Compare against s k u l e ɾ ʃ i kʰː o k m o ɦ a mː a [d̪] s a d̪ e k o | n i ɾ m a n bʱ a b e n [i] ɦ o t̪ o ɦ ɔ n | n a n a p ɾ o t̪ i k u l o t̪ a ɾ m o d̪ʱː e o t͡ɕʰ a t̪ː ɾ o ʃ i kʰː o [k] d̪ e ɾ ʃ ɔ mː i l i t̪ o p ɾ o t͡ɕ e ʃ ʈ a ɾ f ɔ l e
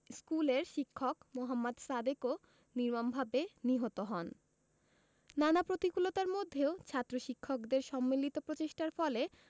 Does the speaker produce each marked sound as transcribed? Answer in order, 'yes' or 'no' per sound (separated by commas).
yes, yes, yes